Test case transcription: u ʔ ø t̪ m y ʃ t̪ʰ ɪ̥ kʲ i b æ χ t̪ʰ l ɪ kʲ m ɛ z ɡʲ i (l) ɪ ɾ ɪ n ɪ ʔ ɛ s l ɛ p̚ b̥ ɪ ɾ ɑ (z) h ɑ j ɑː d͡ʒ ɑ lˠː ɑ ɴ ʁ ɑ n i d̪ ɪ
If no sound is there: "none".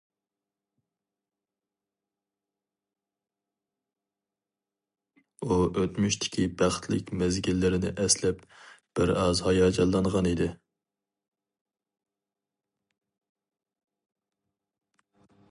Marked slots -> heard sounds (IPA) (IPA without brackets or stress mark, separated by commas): lː, z